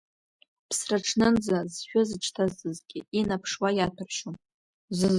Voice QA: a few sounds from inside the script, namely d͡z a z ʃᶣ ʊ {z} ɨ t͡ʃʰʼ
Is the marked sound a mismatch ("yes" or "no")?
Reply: no